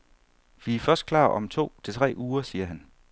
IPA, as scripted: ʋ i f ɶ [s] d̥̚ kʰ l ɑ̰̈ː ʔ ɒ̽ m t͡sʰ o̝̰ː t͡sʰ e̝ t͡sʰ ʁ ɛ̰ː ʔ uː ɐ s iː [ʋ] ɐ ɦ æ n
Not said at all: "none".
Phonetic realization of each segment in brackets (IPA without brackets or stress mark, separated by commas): s, none